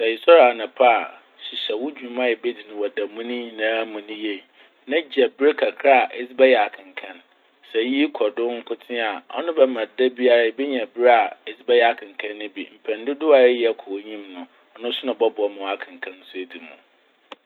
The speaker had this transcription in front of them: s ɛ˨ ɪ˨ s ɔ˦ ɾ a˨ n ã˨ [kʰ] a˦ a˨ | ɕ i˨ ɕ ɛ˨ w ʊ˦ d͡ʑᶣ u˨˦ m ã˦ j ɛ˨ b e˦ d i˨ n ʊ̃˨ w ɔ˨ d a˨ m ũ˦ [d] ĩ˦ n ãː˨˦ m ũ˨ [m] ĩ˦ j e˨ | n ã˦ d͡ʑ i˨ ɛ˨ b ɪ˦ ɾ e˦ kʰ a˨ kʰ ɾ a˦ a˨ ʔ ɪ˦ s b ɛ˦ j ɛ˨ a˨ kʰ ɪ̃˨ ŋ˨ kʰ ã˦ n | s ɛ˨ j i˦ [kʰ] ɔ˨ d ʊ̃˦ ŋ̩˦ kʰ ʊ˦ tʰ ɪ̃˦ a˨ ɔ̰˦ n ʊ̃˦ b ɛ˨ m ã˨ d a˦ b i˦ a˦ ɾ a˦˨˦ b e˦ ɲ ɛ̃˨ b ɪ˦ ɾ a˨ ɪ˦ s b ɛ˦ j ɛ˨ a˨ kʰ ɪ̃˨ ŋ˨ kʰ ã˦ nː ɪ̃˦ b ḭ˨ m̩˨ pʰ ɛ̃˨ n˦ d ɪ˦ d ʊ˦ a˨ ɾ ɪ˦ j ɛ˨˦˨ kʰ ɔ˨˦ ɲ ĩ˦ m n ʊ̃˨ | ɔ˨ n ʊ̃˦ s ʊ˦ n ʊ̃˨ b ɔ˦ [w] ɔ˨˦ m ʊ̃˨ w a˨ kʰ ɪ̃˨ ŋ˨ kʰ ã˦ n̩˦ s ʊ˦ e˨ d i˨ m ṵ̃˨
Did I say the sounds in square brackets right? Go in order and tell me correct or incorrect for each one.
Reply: incorrect: pʰ, incorrect: n, incorrect: n, correct, incorrect: b

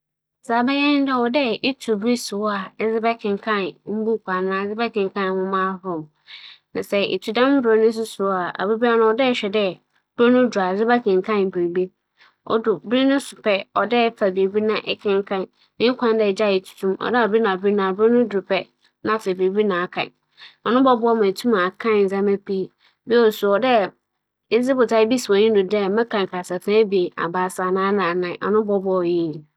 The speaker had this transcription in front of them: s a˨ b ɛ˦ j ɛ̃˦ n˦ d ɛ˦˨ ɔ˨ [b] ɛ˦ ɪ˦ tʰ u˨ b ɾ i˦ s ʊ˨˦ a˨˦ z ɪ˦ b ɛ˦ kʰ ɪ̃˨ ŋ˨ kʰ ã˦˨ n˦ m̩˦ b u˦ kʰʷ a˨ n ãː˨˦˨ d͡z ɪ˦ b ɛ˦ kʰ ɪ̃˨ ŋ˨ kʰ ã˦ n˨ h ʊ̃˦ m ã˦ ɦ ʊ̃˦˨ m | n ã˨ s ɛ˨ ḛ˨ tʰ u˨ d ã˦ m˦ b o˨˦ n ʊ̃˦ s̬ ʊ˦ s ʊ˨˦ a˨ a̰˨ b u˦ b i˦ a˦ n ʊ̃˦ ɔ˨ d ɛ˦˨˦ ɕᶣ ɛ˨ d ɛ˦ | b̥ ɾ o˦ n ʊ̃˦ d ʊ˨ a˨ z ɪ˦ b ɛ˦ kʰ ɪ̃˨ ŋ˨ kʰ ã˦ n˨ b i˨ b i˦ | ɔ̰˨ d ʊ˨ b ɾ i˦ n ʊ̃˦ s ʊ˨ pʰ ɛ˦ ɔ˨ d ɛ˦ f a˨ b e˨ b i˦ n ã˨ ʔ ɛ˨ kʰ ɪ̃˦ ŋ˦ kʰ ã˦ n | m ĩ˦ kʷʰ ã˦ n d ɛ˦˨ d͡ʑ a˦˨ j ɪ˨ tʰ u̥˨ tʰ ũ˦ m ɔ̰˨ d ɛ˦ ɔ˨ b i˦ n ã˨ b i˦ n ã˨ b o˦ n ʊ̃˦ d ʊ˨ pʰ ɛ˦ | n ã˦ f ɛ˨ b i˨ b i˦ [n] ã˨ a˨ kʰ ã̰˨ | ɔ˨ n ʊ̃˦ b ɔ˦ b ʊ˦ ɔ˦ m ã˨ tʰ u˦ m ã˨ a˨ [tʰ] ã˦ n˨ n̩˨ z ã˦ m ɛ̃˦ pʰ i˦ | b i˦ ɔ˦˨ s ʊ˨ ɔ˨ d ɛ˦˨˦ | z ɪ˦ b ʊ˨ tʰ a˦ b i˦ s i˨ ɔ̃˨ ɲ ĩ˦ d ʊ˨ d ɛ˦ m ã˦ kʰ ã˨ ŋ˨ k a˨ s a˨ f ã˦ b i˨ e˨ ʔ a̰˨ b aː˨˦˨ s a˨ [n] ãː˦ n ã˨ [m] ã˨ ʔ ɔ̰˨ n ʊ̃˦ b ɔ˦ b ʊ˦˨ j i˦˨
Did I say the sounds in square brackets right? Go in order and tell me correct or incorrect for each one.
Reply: incorrect: d, correct, incorrect: kʰ, correct, incorrect: n

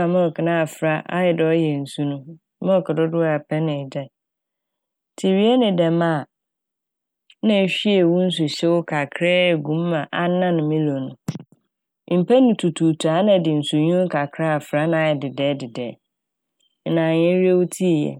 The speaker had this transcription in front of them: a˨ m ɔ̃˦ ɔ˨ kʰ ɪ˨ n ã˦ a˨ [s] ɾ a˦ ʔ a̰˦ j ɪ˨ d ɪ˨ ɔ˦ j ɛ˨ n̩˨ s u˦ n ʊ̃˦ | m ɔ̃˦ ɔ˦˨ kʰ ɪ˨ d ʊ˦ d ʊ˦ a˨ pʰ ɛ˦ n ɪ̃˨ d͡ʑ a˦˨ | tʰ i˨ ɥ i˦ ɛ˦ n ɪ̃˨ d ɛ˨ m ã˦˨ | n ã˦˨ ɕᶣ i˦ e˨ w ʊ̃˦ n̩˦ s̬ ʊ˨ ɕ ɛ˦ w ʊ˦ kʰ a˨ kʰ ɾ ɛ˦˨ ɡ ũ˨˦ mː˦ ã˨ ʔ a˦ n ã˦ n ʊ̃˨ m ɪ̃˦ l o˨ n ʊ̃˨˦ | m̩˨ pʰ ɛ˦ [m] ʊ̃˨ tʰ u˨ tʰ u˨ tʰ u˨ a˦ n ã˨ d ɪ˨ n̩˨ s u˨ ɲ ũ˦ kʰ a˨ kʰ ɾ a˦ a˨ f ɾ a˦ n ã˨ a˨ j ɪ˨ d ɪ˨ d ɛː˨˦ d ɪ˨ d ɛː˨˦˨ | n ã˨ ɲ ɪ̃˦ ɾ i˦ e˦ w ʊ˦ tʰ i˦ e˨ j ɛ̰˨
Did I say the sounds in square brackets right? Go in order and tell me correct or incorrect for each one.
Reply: incorrect: f, incorrect: n

